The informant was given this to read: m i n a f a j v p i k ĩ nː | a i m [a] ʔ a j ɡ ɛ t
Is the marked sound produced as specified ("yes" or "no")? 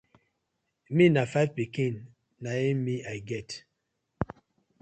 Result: no